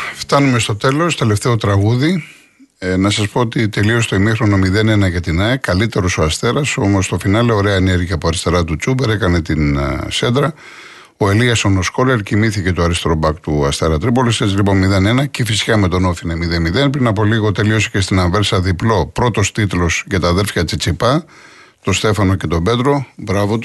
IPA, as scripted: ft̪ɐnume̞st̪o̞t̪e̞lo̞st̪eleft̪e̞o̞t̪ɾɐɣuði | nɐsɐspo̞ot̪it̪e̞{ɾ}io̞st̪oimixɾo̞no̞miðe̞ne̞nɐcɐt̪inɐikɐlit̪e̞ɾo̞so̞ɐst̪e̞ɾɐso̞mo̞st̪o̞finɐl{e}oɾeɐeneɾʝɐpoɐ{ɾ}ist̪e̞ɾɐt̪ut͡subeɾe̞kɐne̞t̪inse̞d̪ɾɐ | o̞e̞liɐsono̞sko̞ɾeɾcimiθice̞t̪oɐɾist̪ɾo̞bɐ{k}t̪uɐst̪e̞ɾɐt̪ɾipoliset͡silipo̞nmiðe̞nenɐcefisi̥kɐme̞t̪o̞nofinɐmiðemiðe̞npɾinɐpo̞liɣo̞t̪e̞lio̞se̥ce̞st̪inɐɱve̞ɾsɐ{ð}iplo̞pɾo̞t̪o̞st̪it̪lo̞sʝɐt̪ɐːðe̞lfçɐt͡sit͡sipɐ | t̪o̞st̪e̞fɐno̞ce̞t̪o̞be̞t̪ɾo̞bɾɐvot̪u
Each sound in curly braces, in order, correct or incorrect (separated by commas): incorrect, correct, correct, correct, correct